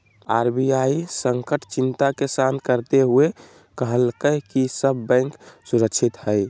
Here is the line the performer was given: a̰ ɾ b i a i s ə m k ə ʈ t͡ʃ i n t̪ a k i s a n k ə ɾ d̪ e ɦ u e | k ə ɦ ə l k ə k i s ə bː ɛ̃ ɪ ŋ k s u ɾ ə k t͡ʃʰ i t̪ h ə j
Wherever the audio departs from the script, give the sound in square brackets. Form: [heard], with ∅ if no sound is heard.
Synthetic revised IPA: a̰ ɾ b i a i s ə [ŋ] k ə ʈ t͡ʃ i n t̪ a k [e] s a n k ə ɾ [t̪] e ɦ u e | k ə ɦ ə l k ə k i s ə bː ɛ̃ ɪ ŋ k s u ɾ ə k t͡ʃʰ i t̪ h ə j